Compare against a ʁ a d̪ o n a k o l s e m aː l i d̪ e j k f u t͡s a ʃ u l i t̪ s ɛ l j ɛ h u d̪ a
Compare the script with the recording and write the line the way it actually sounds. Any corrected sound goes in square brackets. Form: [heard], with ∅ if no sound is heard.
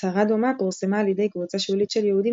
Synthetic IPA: a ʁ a d̪ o [m] a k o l s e m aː l i d̪ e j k [v] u t͡s a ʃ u l i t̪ [ʃ] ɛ l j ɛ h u d̪ [i]